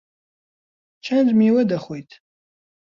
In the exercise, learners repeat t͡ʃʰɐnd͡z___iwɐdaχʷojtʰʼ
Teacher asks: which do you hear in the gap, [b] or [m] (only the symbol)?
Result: m